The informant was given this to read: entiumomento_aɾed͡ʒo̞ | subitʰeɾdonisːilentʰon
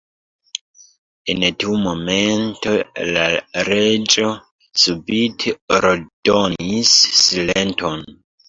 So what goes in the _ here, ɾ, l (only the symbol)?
l